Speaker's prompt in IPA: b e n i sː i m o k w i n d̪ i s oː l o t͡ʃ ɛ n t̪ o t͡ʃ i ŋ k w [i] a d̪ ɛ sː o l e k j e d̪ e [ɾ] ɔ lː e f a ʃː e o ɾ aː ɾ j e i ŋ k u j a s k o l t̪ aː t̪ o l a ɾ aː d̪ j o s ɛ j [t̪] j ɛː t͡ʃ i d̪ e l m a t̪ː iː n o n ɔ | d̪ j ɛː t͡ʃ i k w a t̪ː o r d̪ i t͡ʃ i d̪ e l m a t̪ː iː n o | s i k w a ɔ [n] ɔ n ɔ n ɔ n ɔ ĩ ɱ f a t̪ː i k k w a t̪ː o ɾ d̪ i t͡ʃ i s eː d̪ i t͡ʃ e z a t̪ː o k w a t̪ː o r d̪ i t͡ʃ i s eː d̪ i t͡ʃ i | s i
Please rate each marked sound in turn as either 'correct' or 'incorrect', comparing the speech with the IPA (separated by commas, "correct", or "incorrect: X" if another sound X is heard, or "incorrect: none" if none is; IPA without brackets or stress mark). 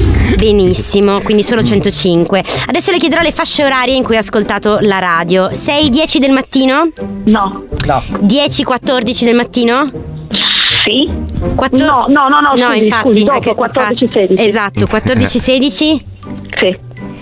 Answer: incorrect: e, correct, incorrect: d̪, correct